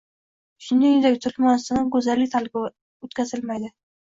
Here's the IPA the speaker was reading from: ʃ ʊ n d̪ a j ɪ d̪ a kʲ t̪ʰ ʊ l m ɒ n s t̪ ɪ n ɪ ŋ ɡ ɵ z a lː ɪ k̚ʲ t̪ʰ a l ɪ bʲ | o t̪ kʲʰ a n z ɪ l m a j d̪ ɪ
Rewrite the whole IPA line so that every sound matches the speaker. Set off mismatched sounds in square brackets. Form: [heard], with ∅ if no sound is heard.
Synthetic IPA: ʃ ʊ n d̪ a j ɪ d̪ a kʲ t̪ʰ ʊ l m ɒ n s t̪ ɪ n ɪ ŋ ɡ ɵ z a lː ɪ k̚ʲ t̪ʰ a l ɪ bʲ | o t̪ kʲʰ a [∅] z ɪ l m a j d̪ ɪ